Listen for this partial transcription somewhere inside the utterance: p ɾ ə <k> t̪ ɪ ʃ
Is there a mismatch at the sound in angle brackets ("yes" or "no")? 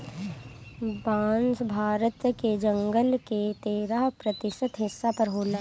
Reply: yes